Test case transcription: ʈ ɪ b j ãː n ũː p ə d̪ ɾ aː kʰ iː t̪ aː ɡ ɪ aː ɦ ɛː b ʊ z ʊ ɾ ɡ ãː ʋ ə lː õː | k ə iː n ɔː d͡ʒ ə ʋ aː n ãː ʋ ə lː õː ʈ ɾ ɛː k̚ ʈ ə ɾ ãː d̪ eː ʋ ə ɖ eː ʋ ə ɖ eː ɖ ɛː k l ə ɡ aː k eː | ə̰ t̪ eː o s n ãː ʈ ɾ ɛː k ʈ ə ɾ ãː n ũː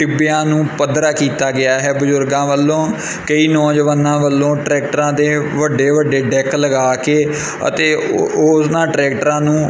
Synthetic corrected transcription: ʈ ɪ b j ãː n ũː p ə d̪ ɾ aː k iː t̪ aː ɡ ɪ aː ɦ ɛː b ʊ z ʊ ɾ ɡ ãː ʋ ə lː õː | k ə iː n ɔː d͡ʒ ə ʋ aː n ãː ʋ ə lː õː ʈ ɾ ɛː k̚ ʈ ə ɾ ãː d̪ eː ʋ ə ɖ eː ʋ ə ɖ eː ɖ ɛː k l ə ɡ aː k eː | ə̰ t̪ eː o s n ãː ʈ ɾ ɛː k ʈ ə ɾ ãː n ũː